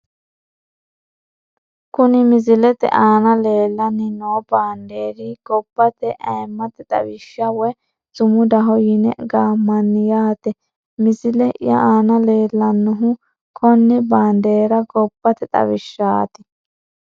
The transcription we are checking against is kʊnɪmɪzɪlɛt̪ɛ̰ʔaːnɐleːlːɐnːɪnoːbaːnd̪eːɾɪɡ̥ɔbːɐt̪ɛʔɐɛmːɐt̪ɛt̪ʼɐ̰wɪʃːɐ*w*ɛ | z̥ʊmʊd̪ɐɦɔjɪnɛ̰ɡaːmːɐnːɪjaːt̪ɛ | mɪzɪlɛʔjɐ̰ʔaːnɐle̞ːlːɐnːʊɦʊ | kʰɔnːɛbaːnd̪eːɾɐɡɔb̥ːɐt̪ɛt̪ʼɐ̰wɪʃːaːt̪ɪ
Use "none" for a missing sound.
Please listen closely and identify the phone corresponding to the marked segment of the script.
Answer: w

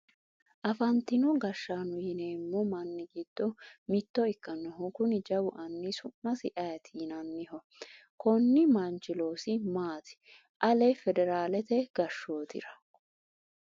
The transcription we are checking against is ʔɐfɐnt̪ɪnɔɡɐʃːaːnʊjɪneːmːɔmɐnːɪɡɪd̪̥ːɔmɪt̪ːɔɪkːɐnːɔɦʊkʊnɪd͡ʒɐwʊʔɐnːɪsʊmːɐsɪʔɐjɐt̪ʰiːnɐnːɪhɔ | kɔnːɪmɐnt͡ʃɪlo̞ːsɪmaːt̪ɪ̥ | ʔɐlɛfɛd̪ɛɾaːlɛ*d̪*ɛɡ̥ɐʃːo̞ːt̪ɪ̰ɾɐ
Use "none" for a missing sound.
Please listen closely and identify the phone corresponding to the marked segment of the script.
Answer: t̪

